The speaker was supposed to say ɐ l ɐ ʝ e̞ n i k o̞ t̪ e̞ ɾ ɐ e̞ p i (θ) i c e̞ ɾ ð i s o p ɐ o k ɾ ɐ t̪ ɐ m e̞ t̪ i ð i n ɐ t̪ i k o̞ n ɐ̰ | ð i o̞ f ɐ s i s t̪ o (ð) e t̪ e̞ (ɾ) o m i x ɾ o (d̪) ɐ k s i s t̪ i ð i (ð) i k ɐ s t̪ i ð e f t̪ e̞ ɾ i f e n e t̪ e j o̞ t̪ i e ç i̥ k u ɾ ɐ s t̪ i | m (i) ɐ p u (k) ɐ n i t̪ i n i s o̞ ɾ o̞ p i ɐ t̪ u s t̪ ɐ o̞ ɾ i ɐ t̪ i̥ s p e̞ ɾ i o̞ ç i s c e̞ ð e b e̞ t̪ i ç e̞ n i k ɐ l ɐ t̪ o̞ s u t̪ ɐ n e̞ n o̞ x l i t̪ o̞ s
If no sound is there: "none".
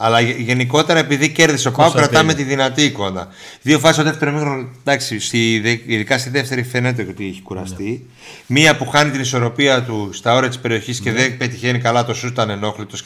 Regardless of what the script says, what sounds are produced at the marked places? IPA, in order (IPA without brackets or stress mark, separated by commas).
ð, ð, ɾ, d̪, ð, i, x